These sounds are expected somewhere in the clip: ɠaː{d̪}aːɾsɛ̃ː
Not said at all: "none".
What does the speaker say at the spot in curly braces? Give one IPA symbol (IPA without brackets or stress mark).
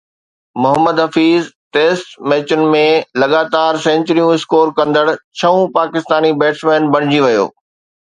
t̪